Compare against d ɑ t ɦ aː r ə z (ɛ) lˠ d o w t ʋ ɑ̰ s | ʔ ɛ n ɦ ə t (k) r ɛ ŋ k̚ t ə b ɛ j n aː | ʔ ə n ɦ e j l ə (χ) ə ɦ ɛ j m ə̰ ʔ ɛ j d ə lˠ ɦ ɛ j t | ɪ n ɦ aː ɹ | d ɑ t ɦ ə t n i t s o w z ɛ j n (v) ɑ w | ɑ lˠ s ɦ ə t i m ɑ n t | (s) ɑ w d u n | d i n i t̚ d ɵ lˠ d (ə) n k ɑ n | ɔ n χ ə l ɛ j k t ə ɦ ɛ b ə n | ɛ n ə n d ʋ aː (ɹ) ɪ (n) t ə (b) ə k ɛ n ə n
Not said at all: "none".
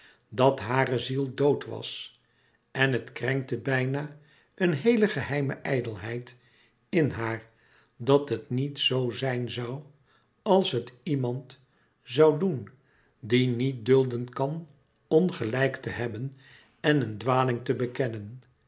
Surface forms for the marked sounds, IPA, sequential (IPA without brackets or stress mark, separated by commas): i, k, χ, z, z, ə, l, ŋ, b